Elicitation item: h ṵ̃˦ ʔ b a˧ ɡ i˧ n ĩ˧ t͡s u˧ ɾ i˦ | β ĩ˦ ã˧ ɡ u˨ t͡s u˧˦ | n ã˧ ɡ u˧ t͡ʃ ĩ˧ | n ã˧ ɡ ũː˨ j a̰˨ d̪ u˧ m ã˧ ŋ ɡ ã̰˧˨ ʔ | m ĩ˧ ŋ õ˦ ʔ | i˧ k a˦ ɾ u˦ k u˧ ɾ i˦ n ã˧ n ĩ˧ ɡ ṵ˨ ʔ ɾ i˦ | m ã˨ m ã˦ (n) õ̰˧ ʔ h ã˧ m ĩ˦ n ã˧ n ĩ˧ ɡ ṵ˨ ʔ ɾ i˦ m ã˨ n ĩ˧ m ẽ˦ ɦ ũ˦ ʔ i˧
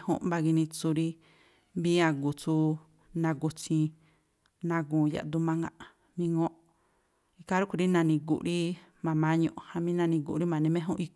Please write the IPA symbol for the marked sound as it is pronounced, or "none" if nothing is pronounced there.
ɲ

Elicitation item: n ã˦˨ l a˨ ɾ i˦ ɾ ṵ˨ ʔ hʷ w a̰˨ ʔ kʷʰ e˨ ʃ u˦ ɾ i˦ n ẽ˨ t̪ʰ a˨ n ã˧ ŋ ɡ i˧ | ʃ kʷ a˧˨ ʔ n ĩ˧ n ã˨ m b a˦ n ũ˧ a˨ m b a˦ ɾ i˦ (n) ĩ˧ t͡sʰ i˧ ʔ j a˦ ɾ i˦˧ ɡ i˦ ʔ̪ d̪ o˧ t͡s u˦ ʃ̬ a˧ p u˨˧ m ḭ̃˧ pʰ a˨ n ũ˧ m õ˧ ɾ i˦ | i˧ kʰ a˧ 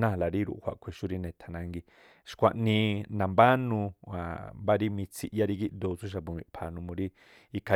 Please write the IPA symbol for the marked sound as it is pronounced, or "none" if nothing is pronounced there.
m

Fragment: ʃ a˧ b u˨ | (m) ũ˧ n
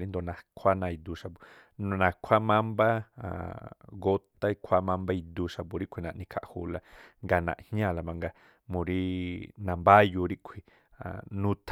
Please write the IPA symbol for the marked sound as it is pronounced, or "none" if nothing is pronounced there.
n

